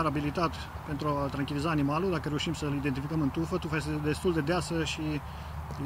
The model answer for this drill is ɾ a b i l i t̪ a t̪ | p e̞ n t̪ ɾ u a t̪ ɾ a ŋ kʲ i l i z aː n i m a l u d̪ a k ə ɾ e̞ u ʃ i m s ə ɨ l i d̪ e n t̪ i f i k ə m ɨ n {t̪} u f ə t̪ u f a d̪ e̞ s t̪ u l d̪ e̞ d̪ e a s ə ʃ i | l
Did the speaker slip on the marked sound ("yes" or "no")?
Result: no